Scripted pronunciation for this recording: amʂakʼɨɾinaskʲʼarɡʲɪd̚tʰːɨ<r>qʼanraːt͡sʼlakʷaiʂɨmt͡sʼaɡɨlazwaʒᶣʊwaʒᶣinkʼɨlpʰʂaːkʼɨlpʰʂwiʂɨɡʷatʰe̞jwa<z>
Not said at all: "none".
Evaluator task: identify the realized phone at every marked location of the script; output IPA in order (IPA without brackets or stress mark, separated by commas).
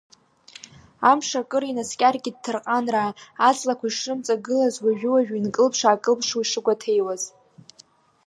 r, z